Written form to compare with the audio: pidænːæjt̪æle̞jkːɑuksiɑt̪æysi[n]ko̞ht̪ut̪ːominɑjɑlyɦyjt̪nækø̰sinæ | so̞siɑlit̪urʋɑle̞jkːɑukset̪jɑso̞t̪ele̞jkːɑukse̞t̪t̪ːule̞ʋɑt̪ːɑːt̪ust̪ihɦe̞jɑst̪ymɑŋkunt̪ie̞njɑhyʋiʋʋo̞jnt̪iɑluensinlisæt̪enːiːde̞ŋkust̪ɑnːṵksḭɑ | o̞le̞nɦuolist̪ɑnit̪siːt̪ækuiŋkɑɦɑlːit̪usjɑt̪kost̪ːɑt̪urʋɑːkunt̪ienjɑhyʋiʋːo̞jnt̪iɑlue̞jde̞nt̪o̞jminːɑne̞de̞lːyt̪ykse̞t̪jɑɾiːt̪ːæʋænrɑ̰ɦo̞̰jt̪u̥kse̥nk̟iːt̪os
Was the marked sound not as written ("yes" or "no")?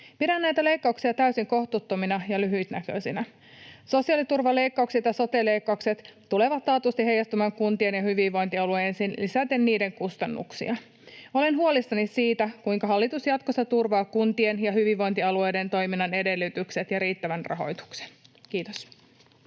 yes